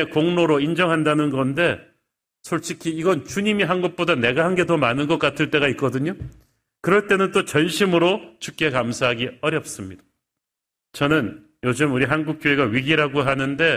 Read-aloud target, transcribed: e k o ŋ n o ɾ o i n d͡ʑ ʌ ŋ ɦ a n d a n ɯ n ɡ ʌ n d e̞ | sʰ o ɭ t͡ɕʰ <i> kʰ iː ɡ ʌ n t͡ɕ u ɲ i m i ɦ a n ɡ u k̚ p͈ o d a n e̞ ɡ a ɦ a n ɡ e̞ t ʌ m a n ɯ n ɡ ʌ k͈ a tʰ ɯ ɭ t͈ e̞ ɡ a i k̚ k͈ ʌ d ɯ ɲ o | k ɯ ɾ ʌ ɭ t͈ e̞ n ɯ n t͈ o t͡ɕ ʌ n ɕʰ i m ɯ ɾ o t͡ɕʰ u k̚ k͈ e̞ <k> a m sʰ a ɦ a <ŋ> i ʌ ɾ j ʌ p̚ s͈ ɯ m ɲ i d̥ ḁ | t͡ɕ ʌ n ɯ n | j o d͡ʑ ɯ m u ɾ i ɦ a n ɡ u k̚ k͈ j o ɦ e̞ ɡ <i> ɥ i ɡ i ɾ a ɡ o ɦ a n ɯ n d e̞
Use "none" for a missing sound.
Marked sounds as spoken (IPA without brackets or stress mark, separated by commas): i, k, ɡ, a